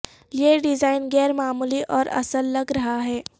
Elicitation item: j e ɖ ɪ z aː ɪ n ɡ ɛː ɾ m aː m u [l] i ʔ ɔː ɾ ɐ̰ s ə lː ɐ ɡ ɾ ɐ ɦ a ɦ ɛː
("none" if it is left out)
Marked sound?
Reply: l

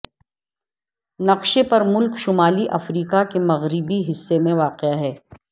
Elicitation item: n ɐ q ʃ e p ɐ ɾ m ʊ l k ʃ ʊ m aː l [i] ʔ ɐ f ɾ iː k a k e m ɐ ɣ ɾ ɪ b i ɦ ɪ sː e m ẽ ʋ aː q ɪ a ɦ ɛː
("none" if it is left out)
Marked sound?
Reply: i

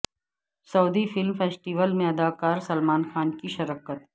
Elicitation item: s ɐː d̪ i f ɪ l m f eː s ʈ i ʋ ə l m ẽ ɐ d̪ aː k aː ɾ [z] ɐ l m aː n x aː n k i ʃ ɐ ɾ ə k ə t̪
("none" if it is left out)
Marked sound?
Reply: s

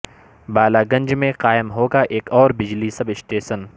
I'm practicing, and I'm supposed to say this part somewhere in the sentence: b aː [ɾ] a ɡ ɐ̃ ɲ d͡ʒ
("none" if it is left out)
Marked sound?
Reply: l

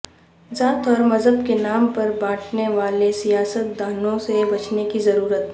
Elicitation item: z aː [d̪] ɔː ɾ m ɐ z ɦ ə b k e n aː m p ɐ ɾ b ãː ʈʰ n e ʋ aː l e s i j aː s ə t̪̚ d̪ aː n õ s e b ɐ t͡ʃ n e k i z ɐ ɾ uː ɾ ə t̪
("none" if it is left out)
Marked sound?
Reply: t̪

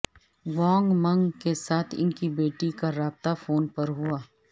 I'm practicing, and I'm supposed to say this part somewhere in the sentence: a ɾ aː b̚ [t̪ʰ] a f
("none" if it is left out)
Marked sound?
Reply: t̪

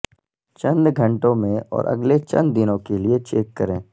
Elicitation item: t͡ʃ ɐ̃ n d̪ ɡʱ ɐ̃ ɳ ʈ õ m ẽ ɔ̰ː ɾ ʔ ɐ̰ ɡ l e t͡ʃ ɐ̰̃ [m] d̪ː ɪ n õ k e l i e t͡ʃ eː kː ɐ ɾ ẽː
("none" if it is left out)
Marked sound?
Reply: n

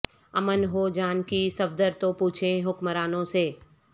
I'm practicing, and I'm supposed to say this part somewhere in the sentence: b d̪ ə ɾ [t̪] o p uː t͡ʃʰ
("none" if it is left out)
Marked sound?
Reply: t̪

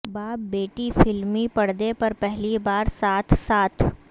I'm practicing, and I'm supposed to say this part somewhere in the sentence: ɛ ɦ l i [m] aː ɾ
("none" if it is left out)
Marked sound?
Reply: b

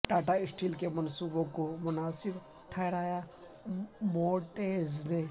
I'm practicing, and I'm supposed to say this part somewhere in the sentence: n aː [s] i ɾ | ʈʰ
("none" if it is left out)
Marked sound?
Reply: s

